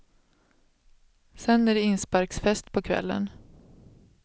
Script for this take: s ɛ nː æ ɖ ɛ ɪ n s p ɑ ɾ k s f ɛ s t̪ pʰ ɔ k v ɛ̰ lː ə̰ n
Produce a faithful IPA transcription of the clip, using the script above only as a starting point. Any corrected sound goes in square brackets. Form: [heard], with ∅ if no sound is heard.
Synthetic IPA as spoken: s ɛ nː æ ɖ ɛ ɪ n s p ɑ ɾ k s f ɛ s t̪ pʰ ɔ [kʰ] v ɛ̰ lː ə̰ n